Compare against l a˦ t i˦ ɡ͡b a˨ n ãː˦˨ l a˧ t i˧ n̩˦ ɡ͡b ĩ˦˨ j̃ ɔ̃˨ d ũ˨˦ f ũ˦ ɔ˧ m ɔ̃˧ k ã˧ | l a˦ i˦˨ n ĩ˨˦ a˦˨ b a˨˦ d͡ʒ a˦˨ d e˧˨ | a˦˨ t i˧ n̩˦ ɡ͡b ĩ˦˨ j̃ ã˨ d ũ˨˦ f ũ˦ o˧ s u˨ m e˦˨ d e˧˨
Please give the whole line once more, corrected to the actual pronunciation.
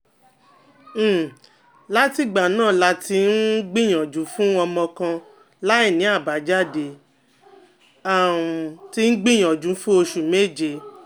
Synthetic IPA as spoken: l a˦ t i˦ ɡ͡b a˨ n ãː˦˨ l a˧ t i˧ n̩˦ ɡ͡b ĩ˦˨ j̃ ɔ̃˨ d͡ʒ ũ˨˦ f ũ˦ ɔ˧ m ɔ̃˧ k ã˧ | l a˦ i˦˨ n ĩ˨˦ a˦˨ b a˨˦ d͡ʒ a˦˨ d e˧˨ | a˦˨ t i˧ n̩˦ ɡ͡b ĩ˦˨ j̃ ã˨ d͡ʒ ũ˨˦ f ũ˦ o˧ ʃ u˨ m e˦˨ d͡ʒ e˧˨

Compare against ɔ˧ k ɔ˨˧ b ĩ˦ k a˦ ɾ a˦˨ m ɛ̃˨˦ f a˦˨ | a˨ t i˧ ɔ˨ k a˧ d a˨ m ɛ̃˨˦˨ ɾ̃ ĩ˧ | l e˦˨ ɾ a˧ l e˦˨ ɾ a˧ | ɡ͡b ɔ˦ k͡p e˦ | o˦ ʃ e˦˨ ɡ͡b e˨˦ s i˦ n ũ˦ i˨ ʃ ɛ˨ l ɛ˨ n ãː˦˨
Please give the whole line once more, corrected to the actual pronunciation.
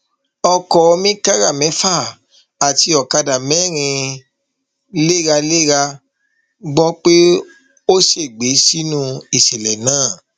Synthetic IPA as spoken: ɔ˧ k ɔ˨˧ m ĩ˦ k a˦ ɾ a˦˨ m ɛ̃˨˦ f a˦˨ | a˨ t i˧ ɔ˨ k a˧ d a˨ m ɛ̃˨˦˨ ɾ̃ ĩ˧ | l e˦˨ ɾ a˧ l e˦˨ ɾ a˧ | ɡ͡b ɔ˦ k͡p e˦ | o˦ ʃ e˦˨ ɡ͡b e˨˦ s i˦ n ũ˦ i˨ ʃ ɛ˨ l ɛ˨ n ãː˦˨

